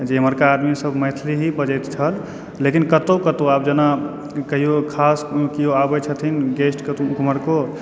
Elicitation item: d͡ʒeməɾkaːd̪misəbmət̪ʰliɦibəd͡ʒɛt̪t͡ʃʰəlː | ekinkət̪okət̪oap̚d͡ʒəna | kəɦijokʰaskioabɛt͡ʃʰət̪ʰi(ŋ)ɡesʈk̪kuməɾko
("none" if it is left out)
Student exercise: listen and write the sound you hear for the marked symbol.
n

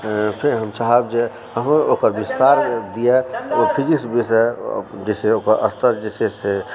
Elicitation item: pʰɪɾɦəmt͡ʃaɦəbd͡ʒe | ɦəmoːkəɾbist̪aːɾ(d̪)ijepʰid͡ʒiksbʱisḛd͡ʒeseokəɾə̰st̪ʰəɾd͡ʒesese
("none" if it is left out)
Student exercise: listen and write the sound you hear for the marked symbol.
d̪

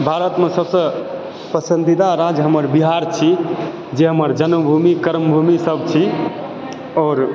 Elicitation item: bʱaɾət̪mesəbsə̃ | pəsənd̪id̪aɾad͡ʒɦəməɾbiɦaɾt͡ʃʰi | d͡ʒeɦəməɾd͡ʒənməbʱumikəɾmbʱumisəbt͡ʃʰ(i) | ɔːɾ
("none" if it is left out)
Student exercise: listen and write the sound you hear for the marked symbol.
i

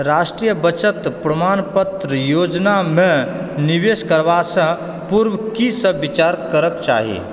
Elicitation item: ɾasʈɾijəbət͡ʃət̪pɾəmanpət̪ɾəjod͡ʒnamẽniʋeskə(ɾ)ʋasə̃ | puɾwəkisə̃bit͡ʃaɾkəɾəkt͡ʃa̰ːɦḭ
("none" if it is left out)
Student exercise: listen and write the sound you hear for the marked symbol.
ɾ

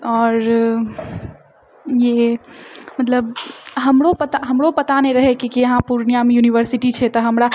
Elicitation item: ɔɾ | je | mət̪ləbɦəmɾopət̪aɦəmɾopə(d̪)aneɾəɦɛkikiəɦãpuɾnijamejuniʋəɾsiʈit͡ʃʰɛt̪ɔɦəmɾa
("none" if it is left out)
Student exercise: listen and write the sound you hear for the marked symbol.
t̪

